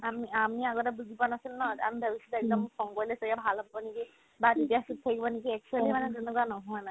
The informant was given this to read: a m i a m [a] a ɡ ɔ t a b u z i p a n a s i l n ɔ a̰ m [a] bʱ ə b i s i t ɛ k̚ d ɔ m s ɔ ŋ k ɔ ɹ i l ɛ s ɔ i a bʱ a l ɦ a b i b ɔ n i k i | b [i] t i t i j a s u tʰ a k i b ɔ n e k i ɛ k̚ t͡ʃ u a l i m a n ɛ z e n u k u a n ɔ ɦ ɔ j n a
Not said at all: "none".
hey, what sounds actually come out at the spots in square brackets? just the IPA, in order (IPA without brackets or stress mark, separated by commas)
i, i, a